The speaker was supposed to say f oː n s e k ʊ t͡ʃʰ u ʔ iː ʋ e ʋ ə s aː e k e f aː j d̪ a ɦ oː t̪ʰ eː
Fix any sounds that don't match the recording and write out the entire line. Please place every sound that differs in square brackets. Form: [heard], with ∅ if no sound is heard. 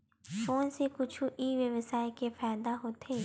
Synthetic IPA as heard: f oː n s e k ʊ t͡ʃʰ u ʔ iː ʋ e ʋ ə s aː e k e f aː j d̪ a ɦ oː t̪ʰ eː